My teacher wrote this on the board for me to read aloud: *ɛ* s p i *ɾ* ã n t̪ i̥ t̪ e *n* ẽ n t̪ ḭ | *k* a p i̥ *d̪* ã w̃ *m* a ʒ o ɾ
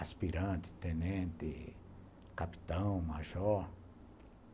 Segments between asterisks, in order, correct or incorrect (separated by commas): incorrect, correct, correct, correct, incorrect, correct